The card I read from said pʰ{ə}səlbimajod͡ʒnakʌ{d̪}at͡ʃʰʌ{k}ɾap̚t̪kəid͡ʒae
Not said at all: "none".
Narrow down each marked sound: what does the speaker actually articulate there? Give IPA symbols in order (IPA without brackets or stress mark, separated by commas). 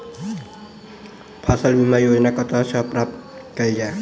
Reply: a, t̪, p